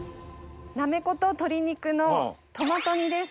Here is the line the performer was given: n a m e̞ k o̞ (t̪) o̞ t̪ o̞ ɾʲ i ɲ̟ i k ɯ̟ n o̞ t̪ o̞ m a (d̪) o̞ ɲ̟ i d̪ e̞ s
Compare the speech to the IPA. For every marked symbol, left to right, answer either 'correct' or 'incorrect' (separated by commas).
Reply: correct, incorrect